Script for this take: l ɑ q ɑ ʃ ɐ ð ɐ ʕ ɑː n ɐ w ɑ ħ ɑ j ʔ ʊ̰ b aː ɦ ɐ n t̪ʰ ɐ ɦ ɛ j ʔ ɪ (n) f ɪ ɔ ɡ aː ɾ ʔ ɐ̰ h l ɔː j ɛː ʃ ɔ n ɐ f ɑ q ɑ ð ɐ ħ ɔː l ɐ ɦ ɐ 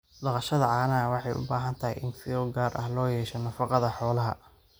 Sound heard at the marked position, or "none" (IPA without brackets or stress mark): n